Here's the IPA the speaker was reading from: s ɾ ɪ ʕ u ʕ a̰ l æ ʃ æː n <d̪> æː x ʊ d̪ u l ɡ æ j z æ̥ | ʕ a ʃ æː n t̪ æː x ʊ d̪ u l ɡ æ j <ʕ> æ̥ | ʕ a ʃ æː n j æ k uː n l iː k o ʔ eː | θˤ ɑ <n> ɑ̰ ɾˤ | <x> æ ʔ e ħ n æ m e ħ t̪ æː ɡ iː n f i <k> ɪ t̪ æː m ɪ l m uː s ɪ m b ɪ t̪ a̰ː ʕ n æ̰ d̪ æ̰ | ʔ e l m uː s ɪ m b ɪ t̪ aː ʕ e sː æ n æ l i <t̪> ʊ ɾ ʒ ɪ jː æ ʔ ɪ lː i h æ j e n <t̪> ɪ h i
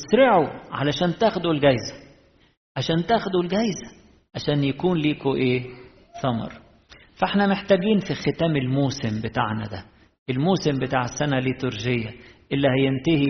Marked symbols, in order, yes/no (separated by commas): no, no, no, no, no, yes, yes